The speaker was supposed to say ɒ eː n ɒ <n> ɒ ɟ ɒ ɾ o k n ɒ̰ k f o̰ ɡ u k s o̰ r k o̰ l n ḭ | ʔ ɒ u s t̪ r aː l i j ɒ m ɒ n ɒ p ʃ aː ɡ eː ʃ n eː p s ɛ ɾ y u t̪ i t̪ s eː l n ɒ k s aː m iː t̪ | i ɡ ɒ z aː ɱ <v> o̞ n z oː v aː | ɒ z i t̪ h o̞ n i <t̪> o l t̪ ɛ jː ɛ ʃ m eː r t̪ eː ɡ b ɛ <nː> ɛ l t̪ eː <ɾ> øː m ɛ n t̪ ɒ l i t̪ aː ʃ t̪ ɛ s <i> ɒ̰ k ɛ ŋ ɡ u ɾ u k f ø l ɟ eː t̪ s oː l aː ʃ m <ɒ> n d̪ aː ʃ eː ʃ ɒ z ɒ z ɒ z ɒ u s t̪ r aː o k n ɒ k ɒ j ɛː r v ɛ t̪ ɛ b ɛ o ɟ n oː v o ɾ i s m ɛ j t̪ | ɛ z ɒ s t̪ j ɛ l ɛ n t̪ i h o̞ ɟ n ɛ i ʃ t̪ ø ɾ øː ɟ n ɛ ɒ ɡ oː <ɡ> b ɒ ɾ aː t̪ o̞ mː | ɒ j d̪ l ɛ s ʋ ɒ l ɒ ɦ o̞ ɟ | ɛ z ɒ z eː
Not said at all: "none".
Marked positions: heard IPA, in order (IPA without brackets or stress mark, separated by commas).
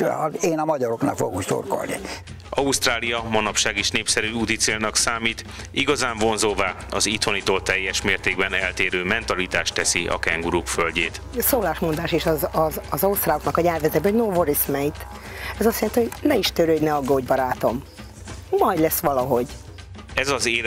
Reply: m, v, t̪, n, ɾ, i, o, ɟ